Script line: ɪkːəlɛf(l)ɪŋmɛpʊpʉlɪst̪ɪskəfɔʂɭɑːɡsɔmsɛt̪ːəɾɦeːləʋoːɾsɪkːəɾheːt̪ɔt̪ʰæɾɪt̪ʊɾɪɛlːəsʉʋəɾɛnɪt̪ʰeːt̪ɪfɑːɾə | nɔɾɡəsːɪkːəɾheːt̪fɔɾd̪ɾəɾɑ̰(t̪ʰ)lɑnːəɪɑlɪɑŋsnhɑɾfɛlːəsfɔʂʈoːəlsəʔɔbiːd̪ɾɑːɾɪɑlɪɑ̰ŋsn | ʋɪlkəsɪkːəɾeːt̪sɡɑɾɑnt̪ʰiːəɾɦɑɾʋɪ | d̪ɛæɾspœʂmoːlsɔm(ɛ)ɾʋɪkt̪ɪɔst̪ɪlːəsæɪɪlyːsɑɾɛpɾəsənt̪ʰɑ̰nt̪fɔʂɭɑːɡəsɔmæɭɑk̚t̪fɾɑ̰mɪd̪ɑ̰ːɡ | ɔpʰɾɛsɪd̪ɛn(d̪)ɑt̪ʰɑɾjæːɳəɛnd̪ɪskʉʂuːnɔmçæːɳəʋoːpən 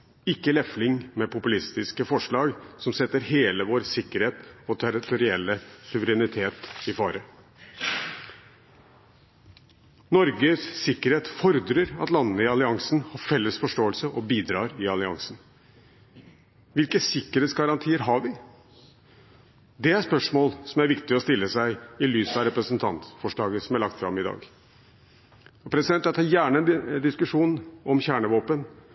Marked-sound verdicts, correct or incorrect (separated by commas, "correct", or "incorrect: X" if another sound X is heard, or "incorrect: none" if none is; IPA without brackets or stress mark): correct, incorrect: t̪, incorrect: æ, incorrect: t̪